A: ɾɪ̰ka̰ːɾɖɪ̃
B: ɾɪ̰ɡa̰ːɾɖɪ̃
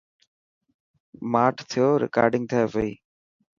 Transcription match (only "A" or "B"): A